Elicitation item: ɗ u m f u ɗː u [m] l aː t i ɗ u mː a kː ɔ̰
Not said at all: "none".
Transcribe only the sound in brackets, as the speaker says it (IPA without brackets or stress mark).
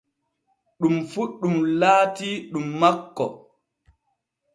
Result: m